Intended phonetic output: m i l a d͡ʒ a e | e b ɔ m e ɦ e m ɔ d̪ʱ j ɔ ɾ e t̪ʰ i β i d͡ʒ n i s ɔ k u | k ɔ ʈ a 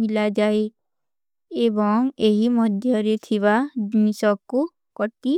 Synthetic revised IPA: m i l a d͡ʒ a e | e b ɔ ŋ e ɦ i m ɔ d̪ʱ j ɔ ɾ e t̪ʰ i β a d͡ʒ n i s ɔ k u | k ɔ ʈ i